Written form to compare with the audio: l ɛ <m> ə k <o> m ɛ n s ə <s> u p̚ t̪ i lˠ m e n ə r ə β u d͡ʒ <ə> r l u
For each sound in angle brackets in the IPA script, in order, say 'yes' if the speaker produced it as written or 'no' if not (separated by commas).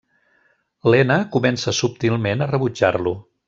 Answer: no, no, yes, no